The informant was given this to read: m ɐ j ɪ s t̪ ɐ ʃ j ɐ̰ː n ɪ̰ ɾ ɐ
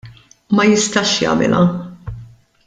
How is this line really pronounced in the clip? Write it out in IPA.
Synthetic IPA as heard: m ɐ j ɪ s t̪ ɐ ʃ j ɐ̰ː m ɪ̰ l ɐ